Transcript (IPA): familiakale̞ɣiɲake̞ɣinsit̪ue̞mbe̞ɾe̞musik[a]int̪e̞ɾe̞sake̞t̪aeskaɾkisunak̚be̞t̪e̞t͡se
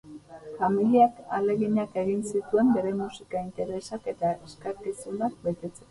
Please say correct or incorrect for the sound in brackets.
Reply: correct